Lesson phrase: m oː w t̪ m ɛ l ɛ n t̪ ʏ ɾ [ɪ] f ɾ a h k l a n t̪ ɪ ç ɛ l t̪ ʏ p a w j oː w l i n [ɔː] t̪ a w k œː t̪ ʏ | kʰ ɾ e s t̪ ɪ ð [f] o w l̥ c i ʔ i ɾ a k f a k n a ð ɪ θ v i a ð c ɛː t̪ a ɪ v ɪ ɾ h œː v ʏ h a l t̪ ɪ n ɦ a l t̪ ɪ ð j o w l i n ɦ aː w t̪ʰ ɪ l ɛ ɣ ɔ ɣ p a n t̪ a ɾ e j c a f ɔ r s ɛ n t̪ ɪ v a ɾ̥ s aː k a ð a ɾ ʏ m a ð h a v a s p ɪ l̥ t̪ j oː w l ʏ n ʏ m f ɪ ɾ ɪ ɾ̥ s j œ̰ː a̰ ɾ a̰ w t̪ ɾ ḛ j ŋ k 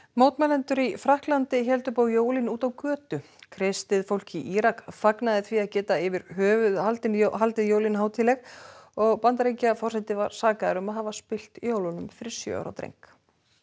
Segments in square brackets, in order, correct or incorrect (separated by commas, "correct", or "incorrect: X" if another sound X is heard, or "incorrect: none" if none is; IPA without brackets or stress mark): incorrect: i, incorrect: uː, correct